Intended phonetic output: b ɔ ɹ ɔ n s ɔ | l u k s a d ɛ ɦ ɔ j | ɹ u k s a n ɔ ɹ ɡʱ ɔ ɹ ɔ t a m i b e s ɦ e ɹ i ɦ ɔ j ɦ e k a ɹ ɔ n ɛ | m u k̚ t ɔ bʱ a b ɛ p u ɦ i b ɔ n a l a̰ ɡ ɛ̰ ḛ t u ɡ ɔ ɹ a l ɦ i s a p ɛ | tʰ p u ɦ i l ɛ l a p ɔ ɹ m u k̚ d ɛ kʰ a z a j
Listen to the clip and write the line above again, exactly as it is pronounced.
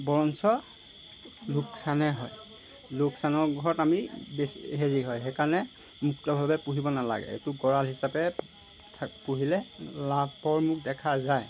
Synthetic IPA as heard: b ɔ ɹ ɔ n s ɔ | l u k s a n ɛ ɦ ɔ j | l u k s a n ɔ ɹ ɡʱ ɔ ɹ ɔ t a m i b e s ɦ e ɹ i ɦ ɔ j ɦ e k a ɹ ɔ n ɛ | m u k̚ t ɔ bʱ a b ɛ p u ɦ i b ɔ n a l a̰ ɡ ɛ̰ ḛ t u ɡ ɔ ɹ a l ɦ i s a p ɛ | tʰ p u ɦ i l ɛ l a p ɔ ɹ m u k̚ d ɛ kʰ a z a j